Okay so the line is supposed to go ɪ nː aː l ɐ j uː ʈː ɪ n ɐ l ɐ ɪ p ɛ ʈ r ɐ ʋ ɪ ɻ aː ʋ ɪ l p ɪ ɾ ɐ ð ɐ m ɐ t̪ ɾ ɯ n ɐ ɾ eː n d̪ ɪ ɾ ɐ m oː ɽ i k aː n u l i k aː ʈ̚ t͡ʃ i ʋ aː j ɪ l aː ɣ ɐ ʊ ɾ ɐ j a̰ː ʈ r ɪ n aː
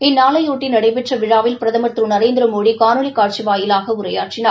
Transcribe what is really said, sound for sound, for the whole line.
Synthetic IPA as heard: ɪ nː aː l ɐ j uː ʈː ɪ n ɐ ɽ ɐ ɪ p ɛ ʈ r ɐ ʋ ɪ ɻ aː ʋ ɪ l p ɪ ɾ ɐ ð ɐ m ɐ t̪ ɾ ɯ n ɐ ɾ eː n d̪ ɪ ɾ ɐ m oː ɽ i k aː n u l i k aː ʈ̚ t͡ʃ i ʋ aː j ɪ l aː ɣ ɐ ʊ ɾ ɐ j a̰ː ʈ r ɪ n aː